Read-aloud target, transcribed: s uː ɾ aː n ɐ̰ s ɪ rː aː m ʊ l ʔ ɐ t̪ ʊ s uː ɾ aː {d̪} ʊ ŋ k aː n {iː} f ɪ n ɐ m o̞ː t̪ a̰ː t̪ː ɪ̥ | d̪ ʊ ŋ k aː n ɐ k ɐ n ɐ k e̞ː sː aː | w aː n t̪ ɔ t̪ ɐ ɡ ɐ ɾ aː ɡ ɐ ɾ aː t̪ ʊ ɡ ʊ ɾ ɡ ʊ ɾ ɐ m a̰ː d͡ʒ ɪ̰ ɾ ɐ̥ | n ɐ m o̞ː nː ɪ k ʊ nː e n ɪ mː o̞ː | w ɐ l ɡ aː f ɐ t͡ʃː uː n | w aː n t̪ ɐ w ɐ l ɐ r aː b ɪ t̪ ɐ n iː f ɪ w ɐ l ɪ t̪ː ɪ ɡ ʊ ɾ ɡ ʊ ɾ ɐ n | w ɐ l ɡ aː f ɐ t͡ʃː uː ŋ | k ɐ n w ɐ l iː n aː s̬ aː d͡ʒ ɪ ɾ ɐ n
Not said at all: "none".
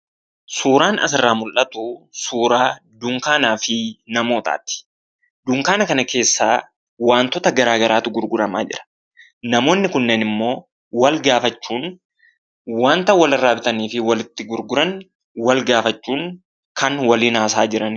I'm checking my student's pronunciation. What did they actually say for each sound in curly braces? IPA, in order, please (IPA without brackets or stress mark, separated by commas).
d̪, aː